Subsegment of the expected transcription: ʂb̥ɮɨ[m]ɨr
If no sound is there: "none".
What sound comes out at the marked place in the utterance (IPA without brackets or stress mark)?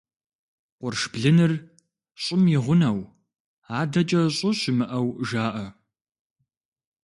n